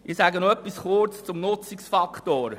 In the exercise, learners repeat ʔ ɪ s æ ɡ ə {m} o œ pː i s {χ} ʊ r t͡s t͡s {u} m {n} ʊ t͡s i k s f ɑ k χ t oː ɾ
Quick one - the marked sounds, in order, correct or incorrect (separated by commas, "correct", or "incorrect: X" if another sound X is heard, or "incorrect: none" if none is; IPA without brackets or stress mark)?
incorrect: n, correct, incorrect: ʊ, correct